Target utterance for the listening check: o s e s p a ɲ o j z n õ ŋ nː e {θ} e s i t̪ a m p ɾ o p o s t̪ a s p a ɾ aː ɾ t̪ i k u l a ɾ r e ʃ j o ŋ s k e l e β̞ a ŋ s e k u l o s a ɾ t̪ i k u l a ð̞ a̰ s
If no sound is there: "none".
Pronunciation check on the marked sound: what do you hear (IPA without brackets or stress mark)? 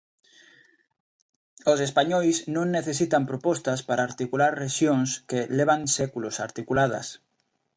θ